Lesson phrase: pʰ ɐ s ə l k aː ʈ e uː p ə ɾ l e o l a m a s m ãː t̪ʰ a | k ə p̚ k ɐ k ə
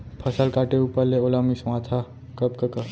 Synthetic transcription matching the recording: pʰ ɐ s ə l k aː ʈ e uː p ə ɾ l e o l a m i s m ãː t̪ʰ a | k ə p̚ k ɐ k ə